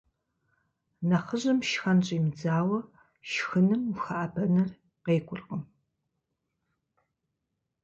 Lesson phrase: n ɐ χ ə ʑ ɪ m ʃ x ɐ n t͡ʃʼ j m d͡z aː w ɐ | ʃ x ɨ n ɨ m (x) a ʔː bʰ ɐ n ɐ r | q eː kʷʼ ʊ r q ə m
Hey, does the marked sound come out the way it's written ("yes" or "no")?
yes